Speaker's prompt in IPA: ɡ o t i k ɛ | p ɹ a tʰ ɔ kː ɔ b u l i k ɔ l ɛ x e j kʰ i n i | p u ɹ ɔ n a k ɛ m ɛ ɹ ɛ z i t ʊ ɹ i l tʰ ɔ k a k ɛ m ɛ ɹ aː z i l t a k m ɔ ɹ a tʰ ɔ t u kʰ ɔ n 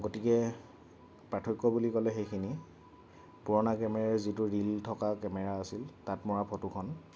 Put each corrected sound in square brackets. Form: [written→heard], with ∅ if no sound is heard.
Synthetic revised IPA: ɡ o t i k ɛ | p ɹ a tʰ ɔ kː ɔ b u l i k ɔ l ɛ x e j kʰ i n i | p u ɹ ɔ n a k ɛ m ɛ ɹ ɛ z i t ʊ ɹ i l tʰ ɔ k a k ɛ m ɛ ɹ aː [z→s] i l t a [k→t] m ɔ ɹ a [tʰ→pʰ] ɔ t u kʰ ɔ n